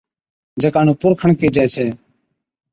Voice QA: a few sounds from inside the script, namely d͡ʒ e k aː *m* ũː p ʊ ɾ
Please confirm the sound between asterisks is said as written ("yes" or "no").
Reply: no